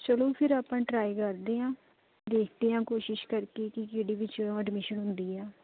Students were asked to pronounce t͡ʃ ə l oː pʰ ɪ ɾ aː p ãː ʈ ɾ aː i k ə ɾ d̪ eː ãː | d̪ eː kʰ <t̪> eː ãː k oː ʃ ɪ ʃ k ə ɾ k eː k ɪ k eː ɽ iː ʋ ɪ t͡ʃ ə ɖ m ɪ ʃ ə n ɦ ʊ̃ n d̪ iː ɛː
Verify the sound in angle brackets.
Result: incorrect: d̪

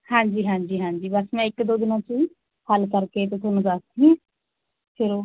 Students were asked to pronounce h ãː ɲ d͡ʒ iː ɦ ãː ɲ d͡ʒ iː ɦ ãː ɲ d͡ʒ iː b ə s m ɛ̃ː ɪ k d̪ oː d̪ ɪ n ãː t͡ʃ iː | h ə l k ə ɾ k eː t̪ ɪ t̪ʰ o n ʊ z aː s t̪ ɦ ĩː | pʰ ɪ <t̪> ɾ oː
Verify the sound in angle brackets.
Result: incorrect: none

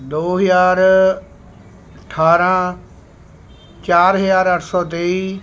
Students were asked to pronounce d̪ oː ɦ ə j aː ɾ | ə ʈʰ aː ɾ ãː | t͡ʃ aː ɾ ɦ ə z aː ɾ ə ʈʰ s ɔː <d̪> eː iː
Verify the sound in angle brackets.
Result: incorrect: t̪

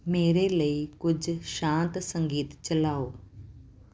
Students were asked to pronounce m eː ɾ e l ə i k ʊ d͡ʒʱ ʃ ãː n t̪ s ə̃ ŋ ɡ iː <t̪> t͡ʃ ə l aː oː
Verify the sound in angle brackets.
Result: correct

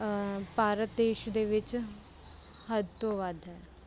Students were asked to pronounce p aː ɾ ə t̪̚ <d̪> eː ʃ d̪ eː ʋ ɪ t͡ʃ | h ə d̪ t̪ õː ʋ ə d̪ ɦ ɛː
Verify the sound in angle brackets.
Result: correct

